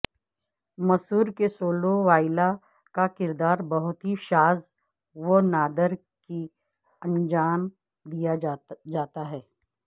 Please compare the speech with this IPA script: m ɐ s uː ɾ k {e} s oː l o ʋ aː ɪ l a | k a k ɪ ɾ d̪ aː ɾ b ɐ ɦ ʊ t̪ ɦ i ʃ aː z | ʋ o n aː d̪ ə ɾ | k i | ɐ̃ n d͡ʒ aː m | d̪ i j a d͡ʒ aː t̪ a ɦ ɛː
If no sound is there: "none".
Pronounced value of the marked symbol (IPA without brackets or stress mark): e